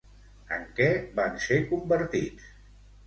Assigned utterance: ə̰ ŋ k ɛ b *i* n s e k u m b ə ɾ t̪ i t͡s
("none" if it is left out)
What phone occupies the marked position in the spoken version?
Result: a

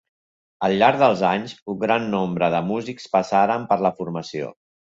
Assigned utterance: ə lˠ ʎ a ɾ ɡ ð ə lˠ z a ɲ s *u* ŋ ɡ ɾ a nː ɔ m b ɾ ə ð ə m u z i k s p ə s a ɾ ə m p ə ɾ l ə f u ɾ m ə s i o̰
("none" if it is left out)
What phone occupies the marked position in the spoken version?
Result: u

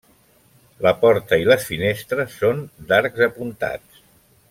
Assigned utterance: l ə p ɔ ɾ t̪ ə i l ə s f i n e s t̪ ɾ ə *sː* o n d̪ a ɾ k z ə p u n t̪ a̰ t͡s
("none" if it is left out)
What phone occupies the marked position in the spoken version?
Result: sː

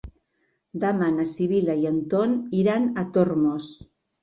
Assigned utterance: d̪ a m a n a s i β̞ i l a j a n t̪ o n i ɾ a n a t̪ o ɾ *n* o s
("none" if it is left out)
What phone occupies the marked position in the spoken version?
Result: m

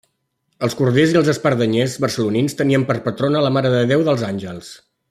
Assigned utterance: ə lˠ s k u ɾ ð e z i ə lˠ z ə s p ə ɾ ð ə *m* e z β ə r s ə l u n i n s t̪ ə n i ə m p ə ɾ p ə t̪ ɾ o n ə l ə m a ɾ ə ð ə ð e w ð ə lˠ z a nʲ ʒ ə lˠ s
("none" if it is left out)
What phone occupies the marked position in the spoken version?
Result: ɲ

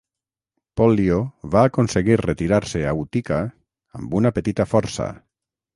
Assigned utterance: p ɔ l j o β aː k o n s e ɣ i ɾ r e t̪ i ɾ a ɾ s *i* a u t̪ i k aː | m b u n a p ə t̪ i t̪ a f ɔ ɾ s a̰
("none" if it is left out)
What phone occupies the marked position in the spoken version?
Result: e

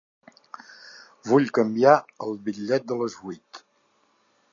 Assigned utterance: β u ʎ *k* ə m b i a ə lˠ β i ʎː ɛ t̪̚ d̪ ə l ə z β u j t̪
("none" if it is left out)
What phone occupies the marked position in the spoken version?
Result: k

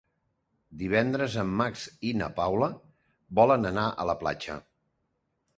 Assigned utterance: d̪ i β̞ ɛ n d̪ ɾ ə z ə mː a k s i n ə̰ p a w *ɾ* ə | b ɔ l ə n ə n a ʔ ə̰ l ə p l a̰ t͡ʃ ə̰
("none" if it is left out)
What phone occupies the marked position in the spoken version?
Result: l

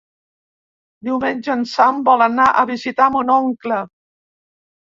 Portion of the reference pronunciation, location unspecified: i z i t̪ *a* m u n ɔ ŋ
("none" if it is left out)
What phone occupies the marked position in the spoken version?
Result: a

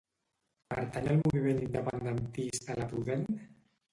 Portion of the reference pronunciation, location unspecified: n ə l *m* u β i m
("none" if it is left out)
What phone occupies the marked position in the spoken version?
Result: m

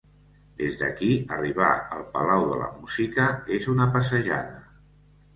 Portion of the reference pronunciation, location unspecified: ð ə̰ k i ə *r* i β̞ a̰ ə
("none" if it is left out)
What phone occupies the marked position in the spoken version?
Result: r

